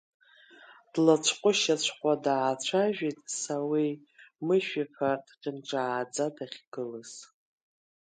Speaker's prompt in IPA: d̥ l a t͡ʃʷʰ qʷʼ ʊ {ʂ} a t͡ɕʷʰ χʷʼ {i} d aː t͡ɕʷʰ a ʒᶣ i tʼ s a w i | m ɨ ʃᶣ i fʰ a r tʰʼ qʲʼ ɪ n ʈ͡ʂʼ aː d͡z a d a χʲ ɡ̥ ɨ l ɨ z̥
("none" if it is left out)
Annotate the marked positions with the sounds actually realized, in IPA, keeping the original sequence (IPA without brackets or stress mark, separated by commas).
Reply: ʃ, a